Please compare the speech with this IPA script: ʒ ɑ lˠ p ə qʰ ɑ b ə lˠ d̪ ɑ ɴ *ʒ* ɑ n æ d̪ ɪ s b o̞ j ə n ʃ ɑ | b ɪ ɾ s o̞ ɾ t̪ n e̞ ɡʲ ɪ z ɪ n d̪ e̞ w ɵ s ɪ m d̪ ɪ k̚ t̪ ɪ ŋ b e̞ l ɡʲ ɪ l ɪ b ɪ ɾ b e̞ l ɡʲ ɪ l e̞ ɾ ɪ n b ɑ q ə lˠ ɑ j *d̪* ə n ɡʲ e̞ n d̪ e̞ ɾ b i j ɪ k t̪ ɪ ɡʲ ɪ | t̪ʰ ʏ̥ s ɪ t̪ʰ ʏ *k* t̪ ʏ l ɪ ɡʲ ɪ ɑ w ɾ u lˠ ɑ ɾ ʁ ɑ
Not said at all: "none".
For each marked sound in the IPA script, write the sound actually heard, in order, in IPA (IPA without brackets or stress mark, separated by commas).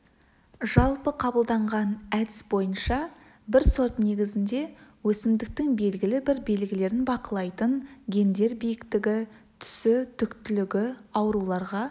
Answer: ʁ, t̪, k